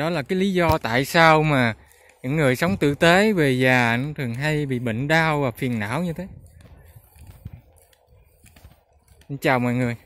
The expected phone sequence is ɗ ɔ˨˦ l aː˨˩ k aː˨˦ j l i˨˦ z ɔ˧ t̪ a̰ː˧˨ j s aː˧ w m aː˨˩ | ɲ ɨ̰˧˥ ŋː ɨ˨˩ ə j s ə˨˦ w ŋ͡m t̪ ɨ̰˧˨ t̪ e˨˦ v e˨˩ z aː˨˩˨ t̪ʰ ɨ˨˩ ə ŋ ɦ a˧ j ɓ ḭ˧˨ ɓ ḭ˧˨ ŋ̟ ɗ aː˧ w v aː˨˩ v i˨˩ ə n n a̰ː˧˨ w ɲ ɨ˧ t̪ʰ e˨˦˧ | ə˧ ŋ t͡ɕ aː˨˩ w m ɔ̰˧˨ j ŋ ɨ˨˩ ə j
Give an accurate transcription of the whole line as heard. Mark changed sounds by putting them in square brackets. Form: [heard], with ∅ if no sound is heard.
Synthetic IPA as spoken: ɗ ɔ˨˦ l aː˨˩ k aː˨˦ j l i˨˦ z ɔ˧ t̪ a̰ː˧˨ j s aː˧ w m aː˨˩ | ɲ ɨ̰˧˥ ŋː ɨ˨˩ ə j s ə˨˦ w ŋ͡m t̪ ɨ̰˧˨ t̪ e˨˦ v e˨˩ z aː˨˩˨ t̪ʰ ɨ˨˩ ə ŋ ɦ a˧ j ɓ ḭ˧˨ ɓ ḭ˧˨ ŋ̟ ɗ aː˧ w v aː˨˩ [f] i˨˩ ə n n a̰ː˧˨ w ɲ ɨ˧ t̪ʰ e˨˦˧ | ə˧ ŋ t͡ɕ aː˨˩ w m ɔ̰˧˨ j ŋ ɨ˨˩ ə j